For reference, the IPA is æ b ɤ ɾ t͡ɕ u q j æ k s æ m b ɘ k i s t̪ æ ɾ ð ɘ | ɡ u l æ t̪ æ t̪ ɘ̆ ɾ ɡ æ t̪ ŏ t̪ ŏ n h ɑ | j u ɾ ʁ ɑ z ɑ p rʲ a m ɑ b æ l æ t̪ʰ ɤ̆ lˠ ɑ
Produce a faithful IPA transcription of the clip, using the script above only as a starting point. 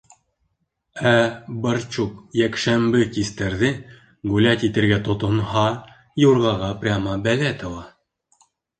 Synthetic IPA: æ b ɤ ɾ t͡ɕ u q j æ k ʃ æ m b ɘ k i s t̪ æ ɾ ð ɘ | ɡ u l æ t̪ i t̪ ɘ̆ ɾ ɡ æ t̪ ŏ t̪ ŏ n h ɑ | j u ɾ ʁ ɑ ʁ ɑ p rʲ a m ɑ b æ l æ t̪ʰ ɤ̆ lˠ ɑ